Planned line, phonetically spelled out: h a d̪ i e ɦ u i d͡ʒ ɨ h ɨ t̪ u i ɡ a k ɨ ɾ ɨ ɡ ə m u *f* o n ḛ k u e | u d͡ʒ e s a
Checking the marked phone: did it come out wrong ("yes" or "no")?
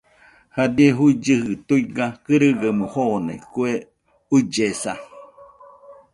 yes